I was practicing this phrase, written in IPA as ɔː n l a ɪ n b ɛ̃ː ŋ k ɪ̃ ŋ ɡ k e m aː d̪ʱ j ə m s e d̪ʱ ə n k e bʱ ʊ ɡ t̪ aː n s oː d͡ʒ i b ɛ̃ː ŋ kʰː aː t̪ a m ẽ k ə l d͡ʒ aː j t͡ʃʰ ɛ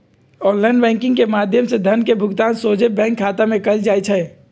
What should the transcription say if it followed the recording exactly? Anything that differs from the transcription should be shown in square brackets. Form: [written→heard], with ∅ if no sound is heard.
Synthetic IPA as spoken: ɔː n l a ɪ n b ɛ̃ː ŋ k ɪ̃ ŋ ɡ k e m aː d̪ʱ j ə m s e d̪ʱ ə n k e bʱ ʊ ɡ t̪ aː n s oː d͡ʒ [i→e] b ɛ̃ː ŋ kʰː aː t̪ a m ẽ k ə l d͡ʒ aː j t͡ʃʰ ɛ